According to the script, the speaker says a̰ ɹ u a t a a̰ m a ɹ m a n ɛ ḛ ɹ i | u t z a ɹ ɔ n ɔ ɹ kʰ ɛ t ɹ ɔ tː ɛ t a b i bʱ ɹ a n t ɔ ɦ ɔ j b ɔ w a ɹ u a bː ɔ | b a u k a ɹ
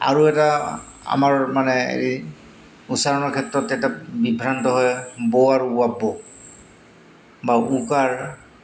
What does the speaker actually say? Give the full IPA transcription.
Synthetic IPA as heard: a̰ ɹ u ɛ t a a̰ m a ɹ m a n ɛ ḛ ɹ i | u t s a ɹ ɔ n ɔ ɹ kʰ ɛ t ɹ ɔ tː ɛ t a b i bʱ ɹ a n t ɔ ɦ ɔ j b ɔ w a ɹ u a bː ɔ | b a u k a ɹ